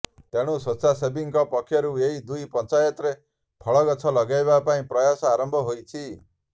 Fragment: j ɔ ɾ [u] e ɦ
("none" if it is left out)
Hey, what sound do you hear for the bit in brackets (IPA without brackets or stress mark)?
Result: u